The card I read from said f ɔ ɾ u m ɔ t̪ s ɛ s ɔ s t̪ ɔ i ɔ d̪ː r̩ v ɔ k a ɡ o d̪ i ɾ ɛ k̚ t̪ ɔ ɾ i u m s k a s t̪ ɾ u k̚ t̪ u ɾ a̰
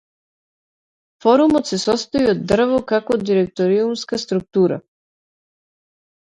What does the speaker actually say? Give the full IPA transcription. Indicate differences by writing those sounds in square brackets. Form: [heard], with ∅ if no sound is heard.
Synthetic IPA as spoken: f ɔ ɾ u m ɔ t̪ s ɛ s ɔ s t̪ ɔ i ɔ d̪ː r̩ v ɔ k a [k] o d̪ i ɾ ɛ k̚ t̪ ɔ ɾ i u m s k a s t̪ ɾ u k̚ t̪ u ɾ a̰